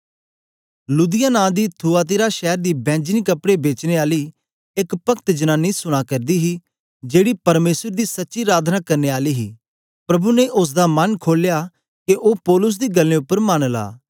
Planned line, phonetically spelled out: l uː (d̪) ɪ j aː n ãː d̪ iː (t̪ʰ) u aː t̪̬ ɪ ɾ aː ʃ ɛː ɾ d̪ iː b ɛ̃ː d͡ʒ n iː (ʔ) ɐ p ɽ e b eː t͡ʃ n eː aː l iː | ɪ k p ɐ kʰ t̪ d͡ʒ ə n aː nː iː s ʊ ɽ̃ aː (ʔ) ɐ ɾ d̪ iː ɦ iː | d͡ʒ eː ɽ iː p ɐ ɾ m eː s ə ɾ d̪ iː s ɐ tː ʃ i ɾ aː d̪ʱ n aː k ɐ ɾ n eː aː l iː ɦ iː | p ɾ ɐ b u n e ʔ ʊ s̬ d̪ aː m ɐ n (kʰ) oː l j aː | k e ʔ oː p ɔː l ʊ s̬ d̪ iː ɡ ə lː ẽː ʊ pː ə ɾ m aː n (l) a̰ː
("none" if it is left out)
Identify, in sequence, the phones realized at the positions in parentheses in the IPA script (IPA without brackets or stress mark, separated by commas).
d̪, t̪ʰ, k, k, kʰ, l